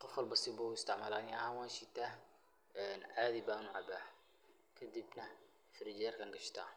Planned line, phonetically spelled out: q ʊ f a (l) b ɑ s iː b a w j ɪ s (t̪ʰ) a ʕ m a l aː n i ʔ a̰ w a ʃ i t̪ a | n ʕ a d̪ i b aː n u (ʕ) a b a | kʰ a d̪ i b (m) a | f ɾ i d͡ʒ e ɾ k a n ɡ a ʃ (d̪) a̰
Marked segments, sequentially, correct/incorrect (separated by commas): correct, incorrect, correct, incorrect, incorrect